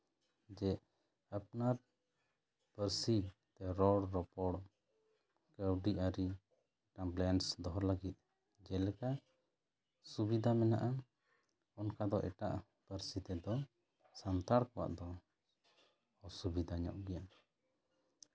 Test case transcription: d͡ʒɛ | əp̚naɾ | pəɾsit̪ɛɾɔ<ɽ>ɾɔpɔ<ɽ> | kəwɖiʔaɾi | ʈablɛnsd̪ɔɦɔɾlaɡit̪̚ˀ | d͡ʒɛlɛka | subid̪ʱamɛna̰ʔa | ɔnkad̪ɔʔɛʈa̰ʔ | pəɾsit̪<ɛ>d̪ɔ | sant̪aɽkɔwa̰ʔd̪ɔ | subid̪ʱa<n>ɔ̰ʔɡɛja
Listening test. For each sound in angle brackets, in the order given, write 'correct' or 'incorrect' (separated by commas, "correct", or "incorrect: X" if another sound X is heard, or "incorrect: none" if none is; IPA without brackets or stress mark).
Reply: correct, correct, correct, incorrect: ɲ